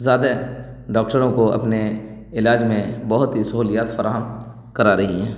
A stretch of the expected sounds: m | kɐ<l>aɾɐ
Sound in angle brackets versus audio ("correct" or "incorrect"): incorrect